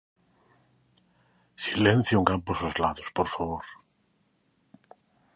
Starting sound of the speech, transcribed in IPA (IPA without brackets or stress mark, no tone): s